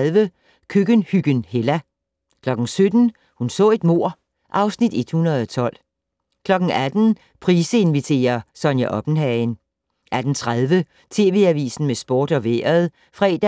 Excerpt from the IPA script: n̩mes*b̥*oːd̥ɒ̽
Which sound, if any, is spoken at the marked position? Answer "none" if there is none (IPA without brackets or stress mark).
b̥